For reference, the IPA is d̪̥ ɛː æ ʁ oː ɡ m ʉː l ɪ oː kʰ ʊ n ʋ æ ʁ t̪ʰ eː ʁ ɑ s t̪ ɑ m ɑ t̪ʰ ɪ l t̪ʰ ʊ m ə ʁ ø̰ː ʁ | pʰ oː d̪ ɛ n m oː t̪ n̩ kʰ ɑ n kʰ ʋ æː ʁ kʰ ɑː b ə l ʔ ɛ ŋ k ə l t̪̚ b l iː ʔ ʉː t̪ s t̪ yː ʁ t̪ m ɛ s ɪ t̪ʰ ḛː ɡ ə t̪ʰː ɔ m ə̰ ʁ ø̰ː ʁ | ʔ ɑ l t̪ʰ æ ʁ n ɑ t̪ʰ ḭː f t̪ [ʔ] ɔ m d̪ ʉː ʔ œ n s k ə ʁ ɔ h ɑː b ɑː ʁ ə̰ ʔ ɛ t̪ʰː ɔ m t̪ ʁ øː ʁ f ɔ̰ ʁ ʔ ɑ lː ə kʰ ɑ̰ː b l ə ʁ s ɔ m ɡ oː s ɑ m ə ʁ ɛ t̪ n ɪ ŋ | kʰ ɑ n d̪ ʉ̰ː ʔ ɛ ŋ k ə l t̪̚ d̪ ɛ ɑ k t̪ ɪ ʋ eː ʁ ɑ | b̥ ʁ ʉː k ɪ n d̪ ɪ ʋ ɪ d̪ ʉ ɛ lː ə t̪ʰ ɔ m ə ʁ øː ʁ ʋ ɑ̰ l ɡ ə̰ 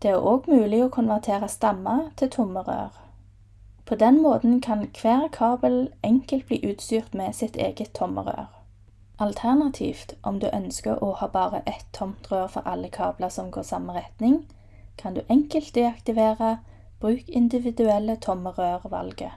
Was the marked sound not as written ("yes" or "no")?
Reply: no